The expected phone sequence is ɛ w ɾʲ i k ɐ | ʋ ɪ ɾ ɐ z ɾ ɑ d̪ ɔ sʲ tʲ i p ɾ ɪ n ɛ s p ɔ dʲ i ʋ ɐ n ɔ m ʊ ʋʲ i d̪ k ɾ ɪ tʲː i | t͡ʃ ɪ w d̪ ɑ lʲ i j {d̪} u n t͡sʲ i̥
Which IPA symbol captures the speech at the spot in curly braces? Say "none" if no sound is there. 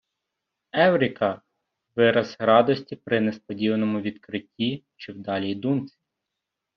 d̪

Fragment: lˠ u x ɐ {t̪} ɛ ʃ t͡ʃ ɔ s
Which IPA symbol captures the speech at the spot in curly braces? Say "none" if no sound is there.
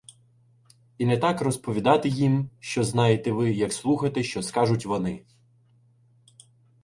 t̪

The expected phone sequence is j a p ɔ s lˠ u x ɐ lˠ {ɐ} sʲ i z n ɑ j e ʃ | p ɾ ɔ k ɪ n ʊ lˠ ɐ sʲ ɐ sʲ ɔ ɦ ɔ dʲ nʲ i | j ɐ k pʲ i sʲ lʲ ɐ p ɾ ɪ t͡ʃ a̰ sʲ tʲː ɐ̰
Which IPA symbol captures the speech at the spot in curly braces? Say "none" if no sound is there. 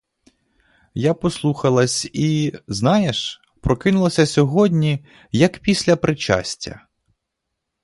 ɐ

